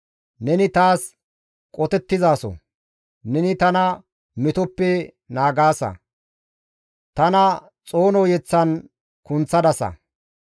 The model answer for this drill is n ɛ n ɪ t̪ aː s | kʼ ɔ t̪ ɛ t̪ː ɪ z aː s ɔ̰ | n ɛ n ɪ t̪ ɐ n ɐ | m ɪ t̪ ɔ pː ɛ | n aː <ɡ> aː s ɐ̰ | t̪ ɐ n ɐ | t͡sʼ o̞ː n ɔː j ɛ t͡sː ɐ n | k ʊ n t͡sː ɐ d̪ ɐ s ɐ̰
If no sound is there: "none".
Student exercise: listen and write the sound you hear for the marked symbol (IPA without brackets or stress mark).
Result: ɡ